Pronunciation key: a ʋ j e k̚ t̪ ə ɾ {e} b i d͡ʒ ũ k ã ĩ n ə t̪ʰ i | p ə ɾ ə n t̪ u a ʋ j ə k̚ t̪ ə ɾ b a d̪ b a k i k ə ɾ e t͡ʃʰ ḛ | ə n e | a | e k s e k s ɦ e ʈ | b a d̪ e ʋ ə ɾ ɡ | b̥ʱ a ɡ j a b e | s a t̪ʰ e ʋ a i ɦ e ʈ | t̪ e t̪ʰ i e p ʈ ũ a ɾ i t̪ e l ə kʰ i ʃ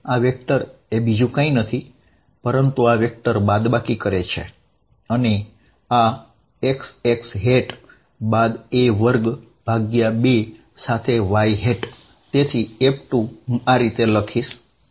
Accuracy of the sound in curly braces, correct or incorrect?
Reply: correct